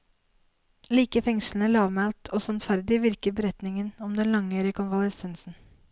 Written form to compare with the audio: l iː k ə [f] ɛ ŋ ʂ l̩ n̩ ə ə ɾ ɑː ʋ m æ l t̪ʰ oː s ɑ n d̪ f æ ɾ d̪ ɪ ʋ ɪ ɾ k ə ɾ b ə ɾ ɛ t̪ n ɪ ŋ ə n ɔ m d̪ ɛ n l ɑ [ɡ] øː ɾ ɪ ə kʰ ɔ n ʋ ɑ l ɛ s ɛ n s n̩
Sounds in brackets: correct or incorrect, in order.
correct, incorrect: ŋ

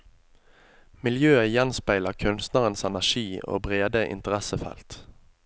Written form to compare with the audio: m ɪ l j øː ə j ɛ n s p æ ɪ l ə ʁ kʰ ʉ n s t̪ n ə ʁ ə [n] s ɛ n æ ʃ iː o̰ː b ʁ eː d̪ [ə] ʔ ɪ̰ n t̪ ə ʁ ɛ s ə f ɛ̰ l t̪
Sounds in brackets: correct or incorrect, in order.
correct, correct

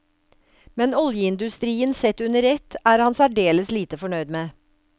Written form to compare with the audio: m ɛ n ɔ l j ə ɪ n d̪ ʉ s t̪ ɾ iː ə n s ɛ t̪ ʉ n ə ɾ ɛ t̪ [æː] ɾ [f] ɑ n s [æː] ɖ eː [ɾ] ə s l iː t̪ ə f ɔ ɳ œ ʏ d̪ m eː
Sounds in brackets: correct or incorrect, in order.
correct, incorrect: h, incorrect: æ, incorrect: l

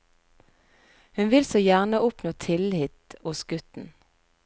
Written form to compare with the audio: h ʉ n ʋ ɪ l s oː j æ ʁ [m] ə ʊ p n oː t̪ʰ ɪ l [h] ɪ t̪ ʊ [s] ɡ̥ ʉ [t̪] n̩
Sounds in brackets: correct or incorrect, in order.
incorrect: n, correct, correct, correct

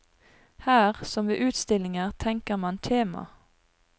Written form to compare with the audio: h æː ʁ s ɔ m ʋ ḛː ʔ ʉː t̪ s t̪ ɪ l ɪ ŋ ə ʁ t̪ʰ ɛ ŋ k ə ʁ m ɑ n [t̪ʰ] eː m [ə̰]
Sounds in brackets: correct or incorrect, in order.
correct, incorrect: ɑ̰

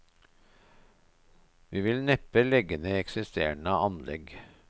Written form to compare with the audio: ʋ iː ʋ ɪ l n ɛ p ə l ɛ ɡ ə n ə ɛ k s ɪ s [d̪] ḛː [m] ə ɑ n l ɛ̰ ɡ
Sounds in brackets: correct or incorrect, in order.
incorrect: t̪, incorrect: ɳ

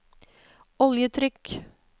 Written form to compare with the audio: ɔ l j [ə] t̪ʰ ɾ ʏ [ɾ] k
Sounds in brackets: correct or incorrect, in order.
correct, incorrect: none

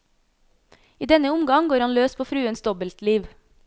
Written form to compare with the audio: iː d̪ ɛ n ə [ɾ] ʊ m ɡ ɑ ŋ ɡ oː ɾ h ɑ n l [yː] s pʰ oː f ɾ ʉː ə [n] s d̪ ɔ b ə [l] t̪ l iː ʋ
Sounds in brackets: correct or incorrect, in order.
incorrect: none, incorrect: øː, correct, correct

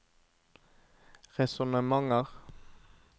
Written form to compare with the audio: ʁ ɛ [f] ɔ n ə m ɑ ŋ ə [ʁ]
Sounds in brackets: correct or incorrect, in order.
incorrect: s, correct

